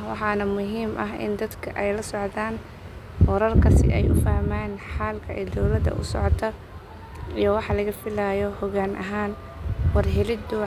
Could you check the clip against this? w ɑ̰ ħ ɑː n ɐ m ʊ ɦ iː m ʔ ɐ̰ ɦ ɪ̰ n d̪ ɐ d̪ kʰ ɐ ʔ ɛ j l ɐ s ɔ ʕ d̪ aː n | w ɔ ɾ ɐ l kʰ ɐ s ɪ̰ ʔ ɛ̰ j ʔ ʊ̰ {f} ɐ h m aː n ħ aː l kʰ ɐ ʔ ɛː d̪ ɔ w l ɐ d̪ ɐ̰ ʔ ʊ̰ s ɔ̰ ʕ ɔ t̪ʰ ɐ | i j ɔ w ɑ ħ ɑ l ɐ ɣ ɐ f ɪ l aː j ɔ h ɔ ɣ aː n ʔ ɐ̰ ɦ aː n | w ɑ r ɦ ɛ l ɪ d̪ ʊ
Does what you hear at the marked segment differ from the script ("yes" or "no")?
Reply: no